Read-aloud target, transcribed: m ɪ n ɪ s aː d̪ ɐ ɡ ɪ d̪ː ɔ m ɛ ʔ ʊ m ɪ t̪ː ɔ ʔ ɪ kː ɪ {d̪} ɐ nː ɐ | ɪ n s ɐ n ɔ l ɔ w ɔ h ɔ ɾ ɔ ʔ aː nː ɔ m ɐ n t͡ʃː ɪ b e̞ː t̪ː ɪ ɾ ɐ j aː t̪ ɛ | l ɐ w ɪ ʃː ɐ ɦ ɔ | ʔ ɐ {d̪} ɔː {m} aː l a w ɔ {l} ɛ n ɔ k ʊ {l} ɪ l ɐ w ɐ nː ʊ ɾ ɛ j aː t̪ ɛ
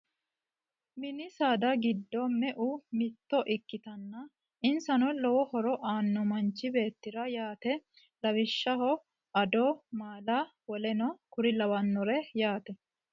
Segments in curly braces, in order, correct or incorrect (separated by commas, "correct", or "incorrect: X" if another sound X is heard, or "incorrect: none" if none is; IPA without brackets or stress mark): incorrect: t̪, correct, correct, correct, incorrect: ɾ